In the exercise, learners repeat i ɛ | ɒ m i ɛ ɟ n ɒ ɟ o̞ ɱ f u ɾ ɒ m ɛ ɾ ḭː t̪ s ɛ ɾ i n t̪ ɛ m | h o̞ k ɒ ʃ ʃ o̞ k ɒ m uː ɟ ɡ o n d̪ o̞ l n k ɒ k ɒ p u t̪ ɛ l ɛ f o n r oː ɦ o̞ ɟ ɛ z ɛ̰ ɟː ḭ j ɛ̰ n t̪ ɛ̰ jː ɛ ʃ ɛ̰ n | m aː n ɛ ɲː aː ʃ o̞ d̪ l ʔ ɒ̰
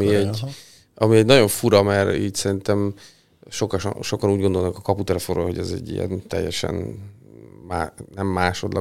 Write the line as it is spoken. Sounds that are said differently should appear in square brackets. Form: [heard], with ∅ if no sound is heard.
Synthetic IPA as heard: i ɛ | ɒ m i ɛ ɟ n ɒ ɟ o̞ ɱ f u ɾ ɒ m ɛ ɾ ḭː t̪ s ɛ ɾ i n t̪ ɛ m | [ʃ] o̞ k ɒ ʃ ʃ o̞ k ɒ [n] uː ɟ ɡ o n d̪ o̞ l n k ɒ k ɒ p u t̪ ɛ l ɛ f o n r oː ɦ o̞ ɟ ɛ z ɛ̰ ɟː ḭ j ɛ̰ n t̪ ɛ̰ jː ɛ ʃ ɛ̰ n | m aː n ɛ [mː] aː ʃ o̞ d̪ l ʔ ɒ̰